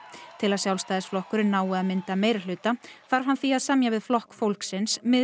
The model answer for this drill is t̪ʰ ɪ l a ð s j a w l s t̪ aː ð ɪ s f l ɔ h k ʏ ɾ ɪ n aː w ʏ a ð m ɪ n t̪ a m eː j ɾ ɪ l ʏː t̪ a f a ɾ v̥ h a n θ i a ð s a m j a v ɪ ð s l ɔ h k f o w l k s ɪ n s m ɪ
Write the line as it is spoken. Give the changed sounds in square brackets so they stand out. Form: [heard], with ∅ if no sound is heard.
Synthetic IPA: t̪ʰ ɪ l a ð s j a w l s t̪ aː ð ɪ s f l ɔ h k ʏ ɾ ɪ n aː w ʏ a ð m ɪ n t̪ a m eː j ɾ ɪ l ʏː t̪ a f a ɾ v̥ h a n θ i a ð s a m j a v ɪ ð [f] l ɔ h k f o w l k s ɪ n s m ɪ

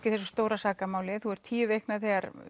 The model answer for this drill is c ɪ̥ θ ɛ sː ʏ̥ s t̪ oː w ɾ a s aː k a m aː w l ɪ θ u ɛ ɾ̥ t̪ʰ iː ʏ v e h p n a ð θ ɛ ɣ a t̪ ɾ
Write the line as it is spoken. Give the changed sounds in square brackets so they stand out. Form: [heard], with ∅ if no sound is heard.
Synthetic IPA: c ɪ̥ θ ɛ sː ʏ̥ s t̪ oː w ɾ a s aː k a m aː w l ɪ θ u ɛ ɾ̥ t̪ʰ iː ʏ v e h [k] n a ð θ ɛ ɣ a [∅] ɾ

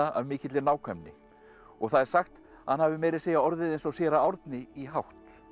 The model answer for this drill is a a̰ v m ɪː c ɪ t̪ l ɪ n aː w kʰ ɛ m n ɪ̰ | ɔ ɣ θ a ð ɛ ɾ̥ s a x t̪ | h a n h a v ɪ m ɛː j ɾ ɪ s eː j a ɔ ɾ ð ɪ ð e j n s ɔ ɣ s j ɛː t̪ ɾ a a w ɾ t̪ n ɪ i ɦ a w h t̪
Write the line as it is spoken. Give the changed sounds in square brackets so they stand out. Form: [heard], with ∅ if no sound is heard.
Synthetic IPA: a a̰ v m ɪː c ɪ t̪ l ɪ n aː w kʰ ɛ m n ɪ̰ | ɔ ɣ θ a ð ɛ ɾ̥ s a x t̪ | h a n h a v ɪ m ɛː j ɾ ɪ s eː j a ɔ ɾ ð ɪ ð e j n s ɔ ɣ s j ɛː [∅] ɾ a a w ɾ t̪ n ɪ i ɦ a w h t̪

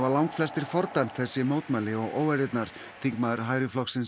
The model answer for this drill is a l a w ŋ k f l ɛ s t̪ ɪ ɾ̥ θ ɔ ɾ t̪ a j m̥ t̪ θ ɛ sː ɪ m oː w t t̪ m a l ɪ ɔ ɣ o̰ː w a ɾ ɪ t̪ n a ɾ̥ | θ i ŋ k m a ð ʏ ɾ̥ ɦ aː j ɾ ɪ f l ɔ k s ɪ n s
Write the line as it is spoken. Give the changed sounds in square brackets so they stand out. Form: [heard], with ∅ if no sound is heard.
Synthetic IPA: a l a w ŋ k f l ɛ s t̪ ɪ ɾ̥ [f] ɔ ɾ t̪ a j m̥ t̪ θ ɛ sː ɪ m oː w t t̪ m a l ɪ ɔ ɣ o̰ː w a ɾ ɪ t̪ n a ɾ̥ | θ i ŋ k m a ð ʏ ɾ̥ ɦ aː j ɾ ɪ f l ɔ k s ɪ n s

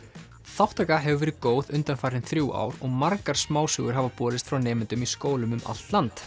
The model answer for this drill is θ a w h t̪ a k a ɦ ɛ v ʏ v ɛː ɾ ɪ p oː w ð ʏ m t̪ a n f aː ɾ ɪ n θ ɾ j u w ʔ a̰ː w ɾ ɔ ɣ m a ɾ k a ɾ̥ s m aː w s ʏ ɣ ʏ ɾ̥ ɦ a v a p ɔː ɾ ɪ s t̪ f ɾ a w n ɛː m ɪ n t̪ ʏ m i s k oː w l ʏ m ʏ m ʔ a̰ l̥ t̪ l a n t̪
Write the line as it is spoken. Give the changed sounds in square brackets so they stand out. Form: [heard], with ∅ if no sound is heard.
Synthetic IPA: θ a w h t̪ a k a ɦ ɛ v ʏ v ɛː ɾ ɪ [k] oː w ð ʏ [n] t̪ a n f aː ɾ ɪ n θ ɾ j u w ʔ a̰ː w ɾ ɔ ɣ m a ɾ k a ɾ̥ s m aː w s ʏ ɣ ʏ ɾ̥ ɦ a v a p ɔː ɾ ɪ s t̪ f ɾ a w n ɛː m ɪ n t̪ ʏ m i s k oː w l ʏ m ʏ m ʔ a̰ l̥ t̪ l a n t̪

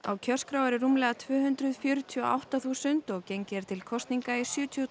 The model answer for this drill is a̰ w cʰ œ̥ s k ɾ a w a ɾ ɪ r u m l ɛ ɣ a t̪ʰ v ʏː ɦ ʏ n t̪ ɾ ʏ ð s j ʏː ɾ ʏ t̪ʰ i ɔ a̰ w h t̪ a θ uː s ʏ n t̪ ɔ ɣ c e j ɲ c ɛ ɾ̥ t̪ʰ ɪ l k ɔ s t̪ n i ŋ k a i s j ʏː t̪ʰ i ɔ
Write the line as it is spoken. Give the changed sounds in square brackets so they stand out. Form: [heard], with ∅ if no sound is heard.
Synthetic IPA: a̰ w cʰ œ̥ s k ɾ a w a ɾ ɪ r u m l ɛ ɣ a t̪ʰ v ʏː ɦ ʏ n t̪ ɾ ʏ ð [f] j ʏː ɾ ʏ t̪ʰ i ɔ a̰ w h t̪ a θ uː s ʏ n t̪ ɔ ɣ c e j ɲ c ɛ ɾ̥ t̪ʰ ɪ l [kʰ] ɔ s t̪ n i ŋ k a i s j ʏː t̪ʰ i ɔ

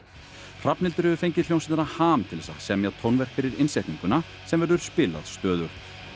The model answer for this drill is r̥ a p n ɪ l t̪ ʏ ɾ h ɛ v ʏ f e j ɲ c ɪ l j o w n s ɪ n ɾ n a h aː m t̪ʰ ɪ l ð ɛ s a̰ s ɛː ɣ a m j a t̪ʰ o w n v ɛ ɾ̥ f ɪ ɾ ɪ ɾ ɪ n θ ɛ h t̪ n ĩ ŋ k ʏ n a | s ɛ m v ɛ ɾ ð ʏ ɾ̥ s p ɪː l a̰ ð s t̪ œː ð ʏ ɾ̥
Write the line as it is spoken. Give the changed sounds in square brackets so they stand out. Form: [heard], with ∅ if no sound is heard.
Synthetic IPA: r̥ a p n ɪ l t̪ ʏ ɾ h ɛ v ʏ f e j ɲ c ɪ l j o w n s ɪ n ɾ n a h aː m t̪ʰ ɪ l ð ɛ s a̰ s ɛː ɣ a m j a t̪ʰ o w n v ɛ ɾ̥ f ɪ ɾ ɪ ɾ ɪ n [s] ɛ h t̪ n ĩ ŋ k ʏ n a | s ɛ m v ɛ ɾ ð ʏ ɾ̥ s p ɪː l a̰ ð s t̪ œː ð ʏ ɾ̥

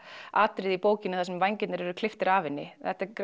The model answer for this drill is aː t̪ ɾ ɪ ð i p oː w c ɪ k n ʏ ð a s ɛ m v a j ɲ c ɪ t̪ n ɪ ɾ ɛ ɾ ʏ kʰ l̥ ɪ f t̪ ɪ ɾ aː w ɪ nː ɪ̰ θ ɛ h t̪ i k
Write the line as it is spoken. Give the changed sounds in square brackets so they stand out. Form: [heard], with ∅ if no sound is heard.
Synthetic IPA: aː t̪ ɾ ɪ ð i p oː w c ɪ [∅] n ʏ [θ] a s ɛ m v a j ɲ c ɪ t̪ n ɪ ɾ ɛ ɾ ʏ kʰ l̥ ɪ f t̪ ɪ ɾ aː [v] ɪ nː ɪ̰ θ ɛ h t̪ [a] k

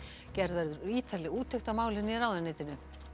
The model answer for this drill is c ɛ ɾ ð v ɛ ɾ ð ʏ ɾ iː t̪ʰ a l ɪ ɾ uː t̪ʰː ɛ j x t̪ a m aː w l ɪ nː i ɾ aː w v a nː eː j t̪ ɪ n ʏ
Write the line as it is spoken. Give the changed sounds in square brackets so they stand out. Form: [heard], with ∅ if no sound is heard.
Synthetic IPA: c ɛ ɾ ð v ɛ ɾ ð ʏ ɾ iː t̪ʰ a l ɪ [∅] uː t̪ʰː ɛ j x t̪ a m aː w l ɪ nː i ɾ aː w [ð] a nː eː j t̪ ɪ n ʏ

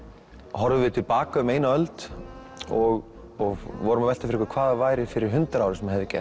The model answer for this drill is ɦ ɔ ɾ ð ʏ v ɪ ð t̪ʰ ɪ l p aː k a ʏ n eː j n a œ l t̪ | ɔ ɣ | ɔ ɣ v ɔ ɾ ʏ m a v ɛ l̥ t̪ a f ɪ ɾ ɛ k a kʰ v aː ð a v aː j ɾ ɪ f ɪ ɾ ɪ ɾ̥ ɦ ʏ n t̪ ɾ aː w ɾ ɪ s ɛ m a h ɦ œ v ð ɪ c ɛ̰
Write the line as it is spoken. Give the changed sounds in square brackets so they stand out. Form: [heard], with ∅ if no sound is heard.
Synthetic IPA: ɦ ɔ ɾ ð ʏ v ɪ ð t̪ʰ ɪ l p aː k a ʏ [m] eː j n a œ l t̪ | ɔ ɣ | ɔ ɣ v ɔ ɾ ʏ m a v ɛ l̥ t̪ a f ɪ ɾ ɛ k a kʰ v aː ð a v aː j ɾ ɪ f ɪ ɾ ɪ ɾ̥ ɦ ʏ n t̪ ɾ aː w ɾ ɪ s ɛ m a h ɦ [ɛ] v ð ɪ c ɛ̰

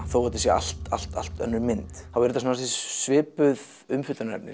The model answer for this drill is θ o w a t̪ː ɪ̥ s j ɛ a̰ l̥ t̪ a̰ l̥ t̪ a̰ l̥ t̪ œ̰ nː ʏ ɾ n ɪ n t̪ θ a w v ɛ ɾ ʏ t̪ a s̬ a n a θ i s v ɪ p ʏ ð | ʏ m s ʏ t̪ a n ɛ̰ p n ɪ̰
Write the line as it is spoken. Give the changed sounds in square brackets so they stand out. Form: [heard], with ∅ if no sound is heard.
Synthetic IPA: θ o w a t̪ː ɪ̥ s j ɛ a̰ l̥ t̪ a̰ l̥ t̪ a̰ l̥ t̪ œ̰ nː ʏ ɾ [m] ɪ n t̪ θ a w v ɛ ɾ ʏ t̪ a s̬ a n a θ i s v [ɪː] p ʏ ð | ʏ m [f] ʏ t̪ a n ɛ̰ p n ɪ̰

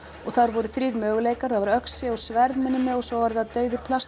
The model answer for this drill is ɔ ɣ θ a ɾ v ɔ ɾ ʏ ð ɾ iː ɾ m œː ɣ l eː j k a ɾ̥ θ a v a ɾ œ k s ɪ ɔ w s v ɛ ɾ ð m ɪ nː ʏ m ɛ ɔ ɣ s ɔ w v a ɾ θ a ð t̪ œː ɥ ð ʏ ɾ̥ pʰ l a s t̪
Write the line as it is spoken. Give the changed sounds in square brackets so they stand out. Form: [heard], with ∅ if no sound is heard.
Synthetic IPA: ɔ ɣ θ a ɾ v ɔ ɾ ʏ [θ] ɾ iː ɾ m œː ɣ l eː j k a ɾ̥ θ a v a ɾ œ k s ɪ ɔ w s v ɛ ɾ ð m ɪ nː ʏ m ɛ ɔ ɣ s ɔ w v a ɾ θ a ð t̪ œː ɥ ð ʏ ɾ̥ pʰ l a s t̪

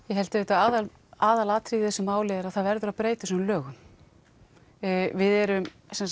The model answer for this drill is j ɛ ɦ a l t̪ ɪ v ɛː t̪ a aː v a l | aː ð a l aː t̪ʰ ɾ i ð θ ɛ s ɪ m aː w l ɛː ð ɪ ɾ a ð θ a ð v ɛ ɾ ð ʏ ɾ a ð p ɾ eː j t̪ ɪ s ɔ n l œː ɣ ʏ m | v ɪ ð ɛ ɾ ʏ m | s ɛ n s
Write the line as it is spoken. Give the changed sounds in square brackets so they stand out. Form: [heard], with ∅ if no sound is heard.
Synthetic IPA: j ɛ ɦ [ɛ] l t̪ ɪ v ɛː t̪ a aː [ð] a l | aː ð a l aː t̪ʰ ɾ i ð θ ɛ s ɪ m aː w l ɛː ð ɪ ɾ a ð θ a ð v ɛ ɾ ð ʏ ɾ a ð p ɾ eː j t̪ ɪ s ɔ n l œː ɣ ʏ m | v ɪ ð ɛ ɾ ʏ m | s ɛ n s

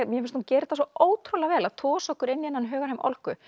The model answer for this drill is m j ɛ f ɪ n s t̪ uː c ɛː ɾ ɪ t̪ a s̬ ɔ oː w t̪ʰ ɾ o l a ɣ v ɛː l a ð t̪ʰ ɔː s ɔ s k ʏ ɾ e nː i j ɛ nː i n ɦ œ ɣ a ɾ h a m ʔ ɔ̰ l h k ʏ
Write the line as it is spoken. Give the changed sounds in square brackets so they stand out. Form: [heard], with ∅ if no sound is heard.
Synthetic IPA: m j ɛ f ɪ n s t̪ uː c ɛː ɾ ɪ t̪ a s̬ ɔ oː w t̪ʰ ɾ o l a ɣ v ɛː l a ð t̪ʰ ɔː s ɔ [h] k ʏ ɾ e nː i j ɛ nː [a] n ɦ [œː] ɣ a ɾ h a m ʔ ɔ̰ l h k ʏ

